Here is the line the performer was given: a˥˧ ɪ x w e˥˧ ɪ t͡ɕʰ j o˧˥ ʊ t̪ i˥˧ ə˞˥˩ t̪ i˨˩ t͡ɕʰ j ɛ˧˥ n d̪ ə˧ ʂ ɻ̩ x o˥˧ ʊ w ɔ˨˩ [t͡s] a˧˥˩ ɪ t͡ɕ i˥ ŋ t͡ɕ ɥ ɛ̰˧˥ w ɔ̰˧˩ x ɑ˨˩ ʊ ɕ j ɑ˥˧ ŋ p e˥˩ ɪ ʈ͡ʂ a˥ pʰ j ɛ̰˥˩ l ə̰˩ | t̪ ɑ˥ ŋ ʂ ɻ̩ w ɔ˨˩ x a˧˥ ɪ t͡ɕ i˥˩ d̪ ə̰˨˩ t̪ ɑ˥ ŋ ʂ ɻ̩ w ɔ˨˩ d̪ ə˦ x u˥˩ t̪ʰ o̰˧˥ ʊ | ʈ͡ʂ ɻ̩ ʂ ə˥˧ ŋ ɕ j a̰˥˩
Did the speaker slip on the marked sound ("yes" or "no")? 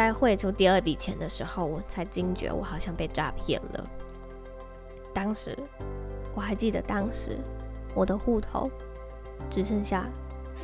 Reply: yes